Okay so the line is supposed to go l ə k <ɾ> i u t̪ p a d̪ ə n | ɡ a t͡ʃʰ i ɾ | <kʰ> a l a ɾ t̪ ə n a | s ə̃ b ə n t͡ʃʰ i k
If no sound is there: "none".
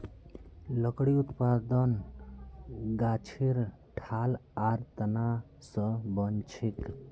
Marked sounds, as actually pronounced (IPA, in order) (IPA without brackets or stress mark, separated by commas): ɽ, ʈʰ